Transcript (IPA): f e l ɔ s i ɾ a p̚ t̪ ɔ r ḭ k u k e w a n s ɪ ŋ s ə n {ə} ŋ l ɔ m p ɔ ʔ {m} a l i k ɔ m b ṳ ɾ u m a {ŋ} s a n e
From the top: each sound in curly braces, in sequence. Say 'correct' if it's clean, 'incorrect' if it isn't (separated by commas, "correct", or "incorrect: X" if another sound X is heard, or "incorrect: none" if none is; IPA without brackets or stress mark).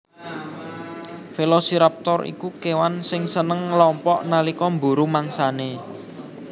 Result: correct, incorrect: n, correct